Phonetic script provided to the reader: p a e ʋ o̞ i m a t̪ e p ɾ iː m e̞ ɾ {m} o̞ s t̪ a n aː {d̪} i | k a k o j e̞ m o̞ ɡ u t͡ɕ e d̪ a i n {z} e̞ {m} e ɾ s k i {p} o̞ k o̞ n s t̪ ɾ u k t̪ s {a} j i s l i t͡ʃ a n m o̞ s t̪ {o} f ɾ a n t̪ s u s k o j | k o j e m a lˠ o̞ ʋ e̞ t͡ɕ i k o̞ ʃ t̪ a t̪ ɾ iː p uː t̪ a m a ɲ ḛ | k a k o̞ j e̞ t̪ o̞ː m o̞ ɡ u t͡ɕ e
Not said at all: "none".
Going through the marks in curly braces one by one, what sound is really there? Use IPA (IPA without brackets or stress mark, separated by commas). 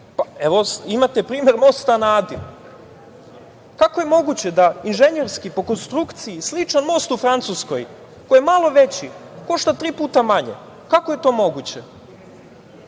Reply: m, d̪, ʒ, ɲ, p, i, u